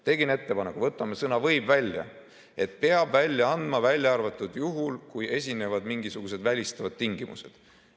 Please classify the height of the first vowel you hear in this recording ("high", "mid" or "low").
mid